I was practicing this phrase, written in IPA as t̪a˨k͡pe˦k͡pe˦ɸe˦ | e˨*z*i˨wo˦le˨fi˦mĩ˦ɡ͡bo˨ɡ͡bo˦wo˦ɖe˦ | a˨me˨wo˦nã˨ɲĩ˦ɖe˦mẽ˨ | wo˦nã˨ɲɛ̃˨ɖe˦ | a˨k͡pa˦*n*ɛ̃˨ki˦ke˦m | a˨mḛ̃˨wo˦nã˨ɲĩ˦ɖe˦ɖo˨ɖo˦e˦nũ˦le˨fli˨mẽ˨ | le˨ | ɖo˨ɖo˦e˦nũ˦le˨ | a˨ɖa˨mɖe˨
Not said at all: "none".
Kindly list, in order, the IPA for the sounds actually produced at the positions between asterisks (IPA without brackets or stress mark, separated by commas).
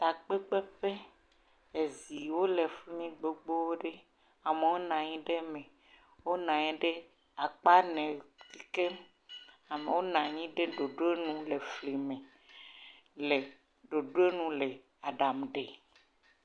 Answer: z, n